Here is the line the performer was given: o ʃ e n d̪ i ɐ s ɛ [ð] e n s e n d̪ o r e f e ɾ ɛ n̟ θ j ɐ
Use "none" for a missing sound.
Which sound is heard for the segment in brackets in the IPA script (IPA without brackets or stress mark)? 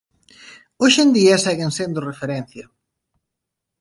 ɣ